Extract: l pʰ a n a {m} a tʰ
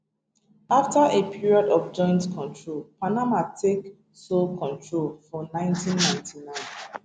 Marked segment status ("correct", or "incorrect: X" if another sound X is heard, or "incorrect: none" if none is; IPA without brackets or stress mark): correct